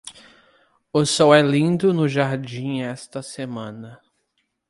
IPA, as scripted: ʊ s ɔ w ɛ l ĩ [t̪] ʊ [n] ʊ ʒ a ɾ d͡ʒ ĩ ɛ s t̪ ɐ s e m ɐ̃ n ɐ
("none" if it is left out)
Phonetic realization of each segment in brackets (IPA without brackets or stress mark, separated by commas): d̪, n